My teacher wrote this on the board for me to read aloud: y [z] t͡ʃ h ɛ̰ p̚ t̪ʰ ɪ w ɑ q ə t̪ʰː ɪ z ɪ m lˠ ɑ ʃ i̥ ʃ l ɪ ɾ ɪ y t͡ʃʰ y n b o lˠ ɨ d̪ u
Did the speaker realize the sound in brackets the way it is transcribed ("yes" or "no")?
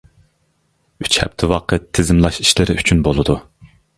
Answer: no